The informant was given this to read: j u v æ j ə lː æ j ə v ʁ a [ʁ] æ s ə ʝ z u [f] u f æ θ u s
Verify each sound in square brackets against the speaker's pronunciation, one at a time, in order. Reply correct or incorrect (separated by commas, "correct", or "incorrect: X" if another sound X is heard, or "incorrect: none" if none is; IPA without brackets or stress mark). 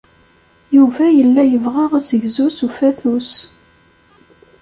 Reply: correct, incorrect: s